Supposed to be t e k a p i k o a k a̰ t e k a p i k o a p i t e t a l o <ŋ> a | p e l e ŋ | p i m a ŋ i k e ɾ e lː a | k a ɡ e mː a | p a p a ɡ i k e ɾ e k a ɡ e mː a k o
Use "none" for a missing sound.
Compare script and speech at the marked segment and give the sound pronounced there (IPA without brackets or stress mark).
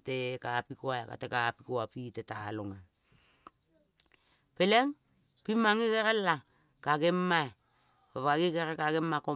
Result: ŋ